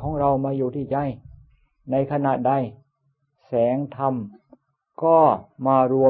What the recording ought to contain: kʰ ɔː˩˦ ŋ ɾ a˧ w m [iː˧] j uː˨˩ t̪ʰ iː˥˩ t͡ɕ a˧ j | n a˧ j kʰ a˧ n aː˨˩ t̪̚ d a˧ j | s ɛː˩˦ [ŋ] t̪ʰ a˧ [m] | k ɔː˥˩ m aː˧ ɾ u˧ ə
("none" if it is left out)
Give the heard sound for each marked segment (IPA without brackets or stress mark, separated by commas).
aː˧, ŋ, m